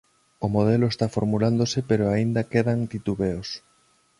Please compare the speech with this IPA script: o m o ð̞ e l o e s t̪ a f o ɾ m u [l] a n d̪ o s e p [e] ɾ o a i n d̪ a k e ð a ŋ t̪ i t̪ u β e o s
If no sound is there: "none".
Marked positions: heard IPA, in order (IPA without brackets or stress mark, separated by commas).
l, e